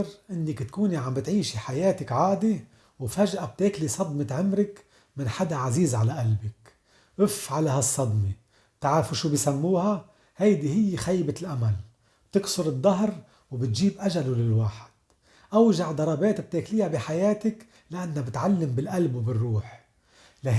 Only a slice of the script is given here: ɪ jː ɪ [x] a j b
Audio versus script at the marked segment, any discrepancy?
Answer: no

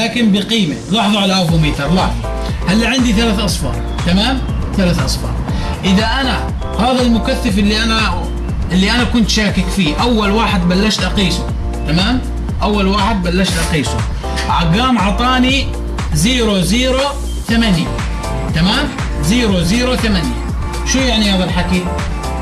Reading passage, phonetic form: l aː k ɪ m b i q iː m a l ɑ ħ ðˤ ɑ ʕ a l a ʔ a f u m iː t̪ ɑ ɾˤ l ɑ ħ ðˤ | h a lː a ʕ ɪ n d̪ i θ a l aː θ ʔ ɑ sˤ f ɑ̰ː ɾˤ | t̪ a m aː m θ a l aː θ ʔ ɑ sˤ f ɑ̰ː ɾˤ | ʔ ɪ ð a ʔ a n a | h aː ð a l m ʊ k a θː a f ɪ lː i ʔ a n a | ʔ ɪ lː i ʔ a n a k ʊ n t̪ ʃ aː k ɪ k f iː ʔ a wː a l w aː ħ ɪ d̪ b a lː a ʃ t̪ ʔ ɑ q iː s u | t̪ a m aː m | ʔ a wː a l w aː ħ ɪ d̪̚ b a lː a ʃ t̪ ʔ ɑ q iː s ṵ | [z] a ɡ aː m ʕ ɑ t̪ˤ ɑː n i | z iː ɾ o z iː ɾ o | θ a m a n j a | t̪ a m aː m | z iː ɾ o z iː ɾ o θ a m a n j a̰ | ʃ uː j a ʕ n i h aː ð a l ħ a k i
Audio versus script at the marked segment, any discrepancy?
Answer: yes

